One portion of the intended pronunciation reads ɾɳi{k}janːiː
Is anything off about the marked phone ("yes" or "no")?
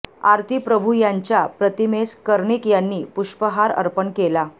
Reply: no